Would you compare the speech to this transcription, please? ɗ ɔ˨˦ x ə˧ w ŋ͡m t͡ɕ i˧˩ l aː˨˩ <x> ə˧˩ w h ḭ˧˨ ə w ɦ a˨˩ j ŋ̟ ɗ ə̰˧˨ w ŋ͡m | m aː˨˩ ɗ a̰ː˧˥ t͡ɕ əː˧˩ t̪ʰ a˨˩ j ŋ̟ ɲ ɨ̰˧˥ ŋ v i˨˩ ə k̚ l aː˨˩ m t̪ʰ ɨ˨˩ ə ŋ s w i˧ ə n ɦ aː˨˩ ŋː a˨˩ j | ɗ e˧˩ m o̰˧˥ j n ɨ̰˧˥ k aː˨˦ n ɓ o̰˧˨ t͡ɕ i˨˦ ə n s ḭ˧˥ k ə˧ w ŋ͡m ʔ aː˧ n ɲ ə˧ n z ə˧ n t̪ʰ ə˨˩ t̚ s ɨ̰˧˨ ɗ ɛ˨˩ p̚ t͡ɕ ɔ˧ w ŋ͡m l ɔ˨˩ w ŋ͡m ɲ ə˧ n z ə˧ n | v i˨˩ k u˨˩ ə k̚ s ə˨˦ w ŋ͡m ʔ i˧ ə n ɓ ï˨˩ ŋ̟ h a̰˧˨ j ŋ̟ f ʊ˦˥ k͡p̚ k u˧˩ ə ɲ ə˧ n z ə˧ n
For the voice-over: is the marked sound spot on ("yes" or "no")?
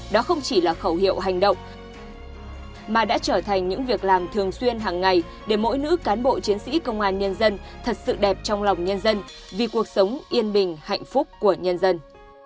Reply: yes